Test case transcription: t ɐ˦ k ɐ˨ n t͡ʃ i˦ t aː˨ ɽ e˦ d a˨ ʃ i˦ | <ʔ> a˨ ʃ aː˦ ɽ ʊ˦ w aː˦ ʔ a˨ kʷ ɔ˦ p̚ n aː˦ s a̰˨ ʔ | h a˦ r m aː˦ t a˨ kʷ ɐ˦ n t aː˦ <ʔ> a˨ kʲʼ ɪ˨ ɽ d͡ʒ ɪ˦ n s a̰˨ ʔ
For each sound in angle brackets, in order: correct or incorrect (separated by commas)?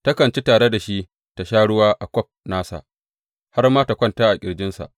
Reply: incorrect, correct